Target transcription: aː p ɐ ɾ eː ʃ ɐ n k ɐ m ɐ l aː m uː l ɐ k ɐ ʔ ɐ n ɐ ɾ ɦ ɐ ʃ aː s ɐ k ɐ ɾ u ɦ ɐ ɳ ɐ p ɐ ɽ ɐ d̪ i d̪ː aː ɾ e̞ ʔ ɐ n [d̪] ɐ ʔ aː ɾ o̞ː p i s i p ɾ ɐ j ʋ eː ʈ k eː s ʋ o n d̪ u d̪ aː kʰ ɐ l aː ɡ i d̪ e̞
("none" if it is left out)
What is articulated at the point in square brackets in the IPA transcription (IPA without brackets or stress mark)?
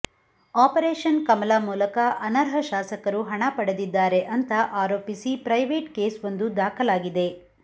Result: t̪